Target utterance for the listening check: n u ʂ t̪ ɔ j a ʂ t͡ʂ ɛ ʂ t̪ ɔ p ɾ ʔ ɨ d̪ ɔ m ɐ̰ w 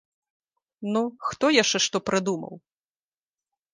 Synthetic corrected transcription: n u x t̪ ɔ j a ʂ t͡ʂ ɛ ʂ t̪ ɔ p ɾ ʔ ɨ d̪ u m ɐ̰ w